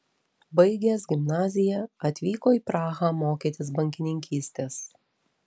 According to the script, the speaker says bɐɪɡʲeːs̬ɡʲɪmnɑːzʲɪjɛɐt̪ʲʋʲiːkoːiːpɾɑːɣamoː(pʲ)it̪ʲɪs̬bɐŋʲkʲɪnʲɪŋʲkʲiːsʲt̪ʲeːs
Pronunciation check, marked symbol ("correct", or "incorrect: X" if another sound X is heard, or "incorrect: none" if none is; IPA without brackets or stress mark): incorrect: kʲ